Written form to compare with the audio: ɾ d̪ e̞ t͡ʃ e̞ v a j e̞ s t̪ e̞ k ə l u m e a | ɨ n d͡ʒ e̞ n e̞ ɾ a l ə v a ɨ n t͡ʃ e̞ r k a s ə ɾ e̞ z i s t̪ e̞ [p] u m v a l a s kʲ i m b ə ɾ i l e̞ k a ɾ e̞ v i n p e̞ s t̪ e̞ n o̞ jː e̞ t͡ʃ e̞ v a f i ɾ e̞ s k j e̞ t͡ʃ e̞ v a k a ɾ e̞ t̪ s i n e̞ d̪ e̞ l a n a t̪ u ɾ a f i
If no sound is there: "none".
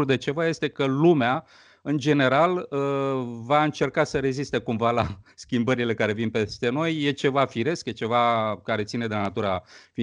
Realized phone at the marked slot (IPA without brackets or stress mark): k